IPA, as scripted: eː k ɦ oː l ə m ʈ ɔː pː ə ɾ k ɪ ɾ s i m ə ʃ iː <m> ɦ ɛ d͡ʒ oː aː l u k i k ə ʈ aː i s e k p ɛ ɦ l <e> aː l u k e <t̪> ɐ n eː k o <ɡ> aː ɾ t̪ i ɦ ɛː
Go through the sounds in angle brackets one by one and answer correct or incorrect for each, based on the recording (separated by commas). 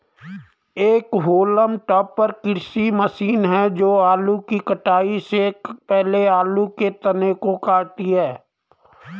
incorrect, correct, correct, incorrect